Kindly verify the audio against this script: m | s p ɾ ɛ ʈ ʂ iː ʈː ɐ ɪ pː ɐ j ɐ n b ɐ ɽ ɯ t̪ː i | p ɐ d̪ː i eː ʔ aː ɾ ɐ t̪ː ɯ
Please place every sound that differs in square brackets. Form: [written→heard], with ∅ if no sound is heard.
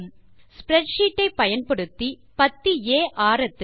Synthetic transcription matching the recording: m | s p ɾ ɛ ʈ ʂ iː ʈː ɐ ɪ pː ɐ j ɐ n [b→p] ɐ ɽ ɯ t̪ː i | p ɐ [d̪ː→t̪ː] i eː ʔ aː ɾ ɐ t̪ː ɯ